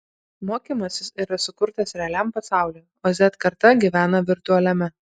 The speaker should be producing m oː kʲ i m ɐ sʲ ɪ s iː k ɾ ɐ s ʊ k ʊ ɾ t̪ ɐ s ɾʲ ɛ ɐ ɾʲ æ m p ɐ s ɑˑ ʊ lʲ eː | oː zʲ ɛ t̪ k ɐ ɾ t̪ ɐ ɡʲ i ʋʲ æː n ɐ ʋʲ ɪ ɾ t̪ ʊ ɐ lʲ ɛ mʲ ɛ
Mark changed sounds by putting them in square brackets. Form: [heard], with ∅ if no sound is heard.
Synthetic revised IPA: m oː kʲ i m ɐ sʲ ɪ s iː [∅] ɾ ɐ s ʊ k ʊ ɾ t̪ ɐ s ɾʲ ɛ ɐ [lʲ] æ m p ɐ s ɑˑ ʊ lʲ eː | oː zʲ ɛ t̪ k ɐ ɾ t̪ ɐ ɡʲ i ʋʲ æː n ɐ ʋʲ ɪ ɾ t̪ ʊ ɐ lʲ ɛ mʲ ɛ